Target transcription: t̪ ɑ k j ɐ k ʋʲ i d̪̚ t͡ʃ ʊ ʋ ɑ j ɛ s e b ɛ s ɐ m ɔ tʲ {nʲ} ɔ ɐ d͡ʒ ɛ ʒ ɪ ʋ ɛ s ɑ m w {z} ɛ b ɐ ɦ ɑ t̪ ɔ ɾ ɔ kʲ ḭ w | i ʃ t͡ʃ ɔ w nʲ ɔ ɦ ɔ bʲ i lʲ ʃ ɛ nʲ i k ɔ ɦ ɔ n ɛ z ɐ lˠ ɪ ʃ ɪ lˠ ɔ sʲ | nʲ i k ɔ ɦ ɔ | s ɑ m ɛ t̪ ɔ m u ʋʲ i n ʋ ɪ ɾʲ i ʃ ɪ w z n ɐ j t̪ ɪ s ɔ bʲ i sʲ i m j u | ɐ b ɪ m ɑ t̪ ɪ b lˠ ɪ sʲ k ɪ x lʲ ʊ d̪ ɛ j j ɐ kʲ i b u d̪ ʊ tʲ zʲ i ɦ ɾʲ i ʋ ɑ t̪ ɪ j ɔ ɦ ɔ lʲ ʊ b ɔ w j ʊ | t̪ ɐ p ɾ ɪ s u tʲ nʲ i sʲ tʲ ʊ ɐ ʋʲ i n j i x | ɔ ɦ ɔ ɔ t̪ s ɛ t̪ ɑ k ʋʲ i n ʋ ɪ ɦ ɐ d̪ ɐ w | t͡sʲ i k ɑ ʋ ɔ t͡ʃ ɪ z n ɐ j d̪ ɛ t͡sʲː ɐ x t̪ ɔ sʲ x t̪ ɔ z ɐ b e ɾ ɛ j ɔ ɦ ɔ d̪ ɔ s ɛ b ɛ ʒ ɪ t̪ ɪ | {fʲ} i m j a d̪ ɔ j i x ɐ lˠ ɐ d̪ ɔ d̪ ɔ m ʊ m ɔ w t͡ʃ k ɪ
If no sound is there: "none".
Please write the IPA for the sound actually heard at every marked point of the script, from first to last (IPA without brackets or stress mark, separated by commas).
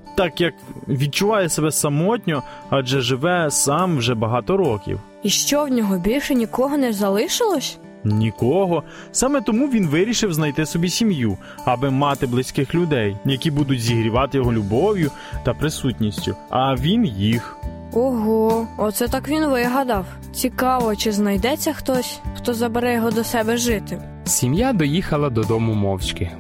nʲ, ʒ, sʲ